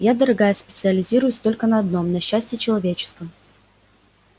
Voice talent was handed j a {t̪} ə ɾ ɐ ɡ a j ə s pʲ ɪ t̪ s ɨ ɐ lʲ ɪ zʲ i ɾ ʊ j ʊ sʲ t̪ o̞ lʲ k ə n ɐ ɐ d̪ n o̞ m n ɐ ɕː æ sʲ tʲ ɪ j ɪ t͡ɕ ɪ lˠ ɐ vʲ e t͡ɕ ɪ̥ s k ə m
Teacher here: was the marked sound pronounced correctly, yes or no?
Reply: no